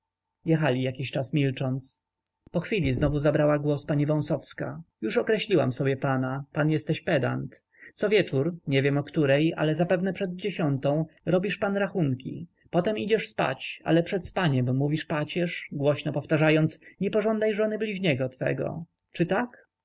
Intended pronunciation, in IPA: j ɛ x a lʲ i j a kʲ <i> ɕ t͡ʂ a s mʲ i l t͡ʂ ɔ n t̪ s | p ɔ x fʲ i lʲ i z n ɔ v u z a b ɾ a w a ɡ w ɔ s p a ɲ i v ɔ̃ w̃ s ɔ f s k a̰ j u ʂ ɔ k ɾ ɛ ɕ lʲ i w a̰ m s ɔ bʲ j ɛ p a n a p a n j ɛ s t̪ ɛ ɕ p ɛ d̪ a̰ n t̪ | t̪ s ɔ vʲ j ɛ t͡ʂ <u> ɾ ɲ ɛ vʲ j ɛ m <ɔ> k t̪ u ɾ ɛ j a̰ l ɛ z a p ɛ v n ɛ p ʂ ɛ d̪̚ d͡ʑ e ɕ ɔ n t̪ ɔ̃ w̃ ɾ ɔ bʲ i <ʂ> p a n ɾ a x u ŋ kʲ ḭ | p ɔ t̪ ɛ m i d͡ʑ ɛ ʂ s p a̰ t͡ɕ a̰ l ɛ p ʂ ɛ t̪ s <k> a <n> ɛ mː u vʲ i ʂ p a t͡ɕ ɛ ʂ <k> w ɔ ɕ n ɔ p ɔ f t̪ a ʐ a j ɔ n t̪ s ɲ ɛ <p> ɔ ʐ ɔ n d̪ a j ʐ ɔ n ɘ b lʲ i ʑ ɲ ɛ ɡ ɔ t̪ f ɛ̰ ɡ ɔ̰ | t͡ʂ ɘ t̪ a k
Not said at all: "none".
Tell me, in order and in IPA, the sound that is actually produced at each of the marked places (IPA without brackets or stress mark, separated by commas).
i, u, ɔ, ʂ, p, ɲ, ɡ, p